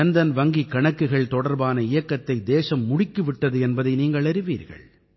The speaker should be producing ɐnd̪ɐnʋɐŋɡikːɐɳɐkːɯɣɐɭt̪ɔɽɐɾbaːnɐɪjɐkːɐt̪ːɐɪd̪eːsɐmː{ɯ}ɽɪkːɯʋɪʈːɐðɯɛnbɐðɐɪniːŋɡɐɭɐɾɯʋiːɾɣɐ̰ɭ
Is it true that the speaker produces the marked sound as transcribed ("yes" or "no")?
no